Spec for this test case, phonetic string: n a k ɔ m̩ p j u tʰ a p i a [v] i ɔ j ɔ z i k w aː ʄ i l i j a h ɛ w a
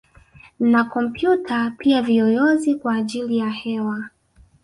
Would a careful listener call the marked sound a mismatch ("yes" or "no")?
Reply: no